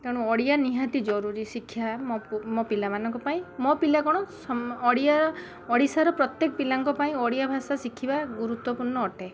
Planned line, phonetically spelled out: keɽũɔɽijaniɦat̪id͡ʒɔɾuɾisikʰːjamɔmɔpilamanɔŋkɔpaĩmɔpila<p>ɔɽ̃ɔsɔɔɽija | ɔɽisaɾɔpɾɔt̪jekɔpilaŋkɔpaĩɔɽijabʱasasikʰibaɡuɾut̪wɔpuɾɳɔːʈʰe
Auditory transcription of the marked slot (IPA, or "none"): k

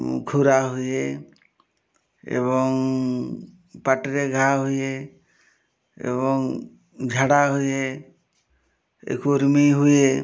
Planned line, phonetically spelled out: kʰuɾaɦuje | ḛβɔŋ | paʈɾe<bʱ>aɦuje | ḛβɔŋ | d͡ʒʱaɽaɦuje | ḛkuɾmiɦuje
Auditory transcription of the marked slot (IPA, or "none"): ɡʱ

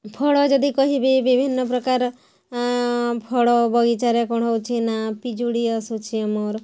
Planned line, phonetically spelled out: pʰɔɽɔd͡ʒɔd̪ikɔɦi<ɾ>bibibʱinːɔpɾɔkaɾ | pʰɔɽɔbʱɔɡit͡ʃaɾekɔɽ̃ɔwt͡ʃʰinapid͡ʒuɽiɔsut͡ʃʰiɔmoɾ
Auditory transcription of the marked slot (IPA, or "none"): none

